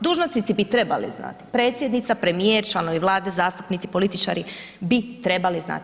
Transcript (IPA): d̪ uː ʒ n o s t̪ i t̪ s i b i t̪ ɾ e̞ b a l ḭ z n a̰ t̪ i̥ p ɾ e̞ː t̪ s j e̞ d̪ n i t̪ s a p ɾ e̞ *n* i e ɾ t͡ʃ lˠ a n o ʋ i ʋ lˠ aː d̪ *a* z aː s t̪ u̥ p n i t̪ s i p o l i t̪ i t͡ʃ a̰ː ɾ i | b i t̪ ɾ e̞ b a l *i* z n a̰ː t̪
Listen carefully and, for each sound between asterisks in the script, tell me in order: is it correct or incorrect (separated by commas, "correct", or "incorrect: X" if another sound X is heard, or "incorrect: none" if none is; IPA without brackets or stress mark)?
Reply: incorrect: m, incorrect: e, correct